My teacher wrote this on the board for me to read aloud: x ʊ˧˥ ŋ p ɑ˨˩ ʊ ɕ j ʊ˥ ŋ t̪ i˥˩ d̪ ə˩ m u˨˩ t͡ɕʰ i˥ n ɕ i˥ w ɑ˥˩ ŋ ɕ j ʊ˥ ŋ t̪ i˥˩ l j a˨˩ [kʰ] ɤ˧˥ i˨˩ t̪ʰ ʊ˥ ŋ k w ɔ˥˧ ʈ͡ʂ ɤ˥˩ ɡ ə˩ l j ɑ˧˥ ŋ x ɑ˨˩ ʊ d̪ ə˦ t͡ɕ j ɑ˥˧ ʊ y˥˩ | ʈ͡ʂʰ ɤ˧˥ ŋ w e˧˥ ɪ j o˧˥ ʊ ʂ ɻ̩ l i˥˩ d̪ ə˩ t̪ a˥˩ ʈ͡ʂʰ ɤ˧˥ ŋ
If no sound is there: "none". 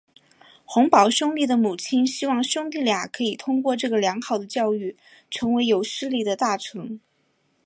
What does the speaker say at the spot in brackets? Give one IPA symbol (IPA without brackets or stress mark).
kʰ